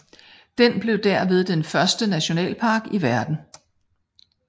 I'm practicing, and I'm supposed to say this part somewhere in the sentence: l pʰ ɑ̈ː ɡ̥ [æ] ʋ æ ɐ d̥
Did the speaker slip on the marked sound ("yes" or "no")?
yes